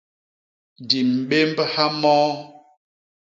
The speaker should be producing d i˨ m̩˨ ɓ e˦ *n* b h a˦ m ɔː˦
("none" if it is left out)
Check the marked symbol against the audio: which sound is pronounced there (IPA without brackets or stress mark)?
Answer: m